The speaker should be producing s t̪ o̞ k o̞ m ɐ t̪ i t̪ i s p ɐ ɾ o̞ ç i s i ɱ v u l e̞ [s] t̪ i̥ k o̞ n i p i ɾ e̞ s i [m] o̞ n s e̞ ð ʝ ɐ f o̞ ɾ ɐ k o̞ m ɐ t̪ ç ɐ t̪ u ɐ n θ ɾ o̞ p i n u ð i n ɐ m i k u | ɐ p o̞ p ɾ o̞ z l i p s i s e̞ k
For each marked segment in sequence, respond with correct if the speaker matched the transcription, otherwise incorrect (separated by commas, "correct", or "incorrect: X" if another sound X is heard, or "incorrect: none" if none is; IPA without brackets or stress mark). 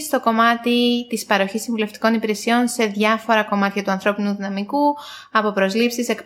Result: incorrect: f, incorrect: none